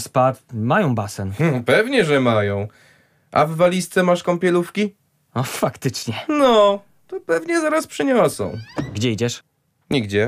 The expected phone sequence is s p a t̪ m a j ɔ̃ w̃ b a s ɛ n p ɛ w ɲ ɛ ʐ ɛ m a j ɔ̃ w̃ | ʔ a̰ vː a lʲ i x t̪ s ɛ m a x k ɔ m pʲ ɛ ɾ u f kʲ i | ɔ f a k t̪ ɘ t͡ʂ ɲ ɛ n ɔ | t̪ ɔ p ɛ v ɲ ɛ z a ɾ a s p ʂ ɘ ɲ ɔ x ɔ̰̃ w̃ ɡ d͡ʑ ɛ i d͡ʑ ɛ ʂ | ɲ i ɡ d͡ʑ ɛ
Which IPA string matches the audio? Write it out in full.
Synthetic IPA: s p a t̪ m a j ɔ̃ w̃ b a s ɛ n p ɛ v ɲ ɛ ʐ ɛ m a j ɔ̃ w̃ | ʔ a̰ vː a lʲ i s t̪ s ɛ m a ʂ k ɔ m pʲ ɛ l u f kʲ i | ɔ f a k t̪ ɘ t͡ʂ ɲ ɛ n ɔ | t̪ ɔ p ɛ v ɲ ɛ z a ɾ a s p ʂ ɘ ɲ ɔ s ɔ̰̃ w̃ ɡ d͡ʑ ɛ i d͡ʑ ɛ ʂ | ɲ i ɡ d͡ʑ ɛ